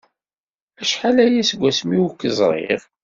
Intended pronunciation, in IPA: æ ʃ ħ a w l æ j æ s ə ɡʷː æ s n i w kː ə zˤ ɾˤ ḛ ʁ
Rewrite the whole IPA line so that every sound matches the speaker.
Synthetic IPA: æ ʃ ħ a l æ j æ s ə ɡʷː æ s m i w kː ə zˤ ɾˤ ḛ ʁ